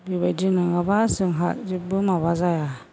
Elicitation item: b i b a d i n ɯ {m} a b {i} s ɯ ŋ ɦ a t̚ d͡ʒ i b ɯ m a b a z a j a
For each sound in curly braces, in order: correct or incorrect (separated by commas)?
incorrect, incorrect